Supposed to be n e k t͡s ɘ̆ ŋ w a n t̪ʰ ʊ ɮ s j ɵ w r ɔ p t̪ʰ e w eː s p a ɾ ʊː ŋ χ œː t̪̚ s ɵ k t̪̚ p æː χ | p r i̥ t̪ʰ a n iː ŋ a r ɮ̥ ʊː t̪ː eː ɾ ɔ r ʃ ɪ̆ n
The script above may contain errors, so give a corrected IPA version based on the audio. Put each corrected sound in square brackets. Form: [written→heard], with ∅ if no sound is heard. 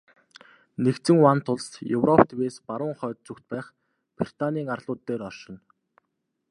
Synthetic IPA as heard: n e k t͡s ɘ̆ ŋ w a n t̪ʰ ʊ ɮ s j ɵ w r ɔ p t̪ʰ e w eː s p a ɾ ʊː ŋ χ œː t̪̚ [s→t͡s] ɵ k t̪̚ p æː χ | p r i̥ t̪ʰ a n iː ŋ a r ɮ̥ ʊː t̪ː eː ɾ ɔ r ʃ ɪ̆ n